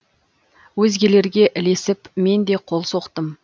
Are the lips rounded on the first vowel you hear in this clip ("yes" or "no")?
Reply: yes